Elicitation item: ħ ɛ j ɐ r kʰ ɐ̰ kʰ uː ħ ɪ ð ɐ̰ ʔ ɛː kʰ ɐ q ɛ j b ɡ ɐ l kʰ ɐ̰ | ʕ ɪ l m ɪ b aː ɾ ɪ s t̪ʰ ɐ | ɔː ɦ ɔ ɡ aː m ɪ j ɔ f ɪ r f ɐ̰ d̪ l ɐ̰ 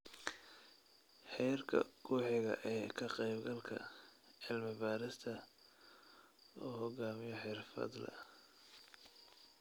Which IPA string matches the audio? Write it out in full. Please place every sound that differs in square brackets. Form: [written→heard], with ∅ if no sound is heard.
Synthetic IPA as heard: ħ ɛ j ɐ r kʰ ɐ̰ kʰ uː ħ ɪ [ð→ɣ] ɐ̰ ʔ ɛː kʰ ɐ q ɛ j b ɡ ɐ l kʰ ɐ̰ | ʕ ɪ l m ɪ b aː ɾ ɪ s t̪ʰ ɐ | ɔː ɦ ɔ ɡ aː m ɪ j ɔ [f→ħ] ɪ r f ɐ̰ d̪ l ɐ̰